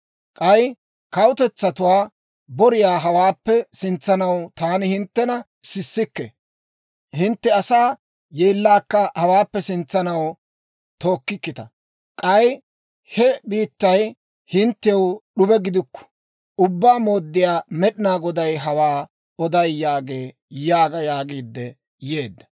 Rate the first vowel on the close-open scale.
open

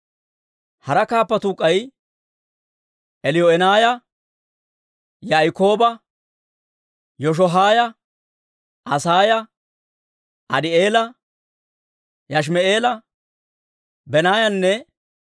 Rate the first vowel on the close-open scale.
open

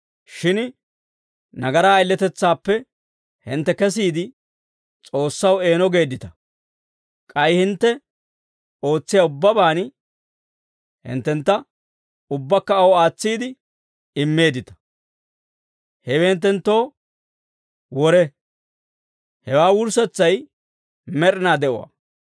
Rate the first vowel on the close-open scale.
close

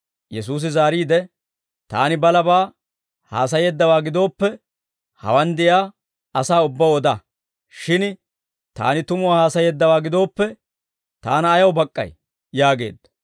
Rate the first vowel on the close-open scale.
mid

